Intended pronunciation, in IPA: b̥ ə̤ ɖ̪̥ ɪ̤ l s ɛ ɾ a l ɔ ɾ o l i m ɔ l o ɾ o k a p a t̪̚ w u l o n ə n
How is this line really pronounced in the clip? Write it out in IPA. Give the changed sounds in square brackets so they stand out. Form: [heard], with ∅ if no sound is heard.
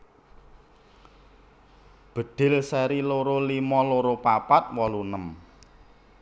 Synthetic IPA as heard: b̥ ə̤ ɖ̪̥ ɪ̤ l s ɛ ɾ [i] l [o] ɾ o l i m ɔ l o ɾ o [p] a p a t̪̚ w [ɔ] l [u] n ə [m]